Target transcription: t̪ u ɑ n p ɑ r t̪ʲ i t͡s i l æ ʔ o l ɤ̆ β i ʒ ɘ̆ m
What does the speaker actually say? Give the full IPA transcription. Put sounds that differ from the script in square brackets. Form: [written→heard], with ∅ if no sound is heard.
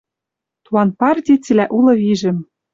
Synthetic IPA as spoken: t̪ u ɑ n p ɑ r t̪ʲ i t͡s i l æ ʔ [o→u] l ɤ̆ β i ʒ ɘ̆ m